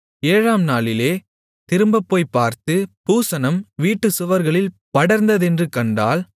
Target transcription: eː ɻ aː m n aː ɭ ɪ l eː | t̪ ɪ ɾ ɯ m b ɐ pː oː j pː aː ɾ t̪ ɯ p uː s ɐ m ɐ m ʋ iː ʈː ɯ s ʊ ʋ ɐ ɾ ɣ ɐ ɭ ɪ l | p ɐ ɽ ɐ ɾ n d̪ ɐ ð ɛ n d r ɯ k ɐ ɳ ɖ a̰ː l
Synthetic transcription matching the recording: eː ɻ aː m n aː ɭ ɪ l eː | t̪ ɪ ɾ ɯ m b ɐ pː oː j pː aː ɾ t̪ ɯ p uː s ɐ n ɐ m ʋ iː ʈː ɯ s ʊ ʋ ɐ ɾ ɣ ɐ ɭ ɪ l | p ɐ ɽ ɐ ɾ n d̪ ɐ ð ɛ n d r ɯ k ɐ ɳ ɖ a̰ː l